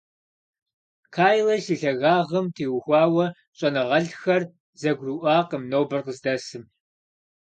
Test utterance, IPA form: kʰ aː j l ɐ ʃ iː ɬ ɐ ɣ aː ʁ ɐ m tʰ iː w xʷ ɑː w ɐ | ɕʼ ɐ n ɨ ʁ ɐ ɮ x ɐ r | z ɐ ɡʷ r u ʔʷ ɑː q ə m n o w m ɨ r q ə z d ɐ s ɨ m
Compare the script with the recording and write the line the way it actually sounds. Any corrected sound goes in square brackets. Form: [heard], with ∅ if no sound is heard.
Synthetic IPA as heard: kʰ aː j l ɐ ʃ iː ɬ ɐ ɣ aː ʁ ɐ m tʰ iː w xʷ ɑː w ɐ | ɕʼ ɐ n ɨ ʁ ɐ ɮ x ɐ r | z ɐ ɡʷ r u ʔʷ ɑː q ə m n o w [b] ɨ r q ə z d ɐ s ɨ m